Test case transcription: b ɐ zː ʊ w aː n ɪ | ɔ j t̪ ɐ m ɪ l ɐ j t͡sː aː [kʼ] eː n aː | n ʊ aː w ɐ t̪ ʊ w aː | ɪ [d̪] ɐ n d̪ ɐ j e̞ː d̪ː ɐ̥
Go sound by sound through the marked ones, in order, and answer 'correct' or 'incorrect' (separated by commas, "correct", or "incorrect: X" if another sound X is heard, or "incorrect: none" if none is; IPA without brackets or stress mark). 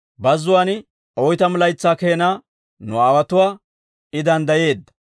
incorrect: k, correct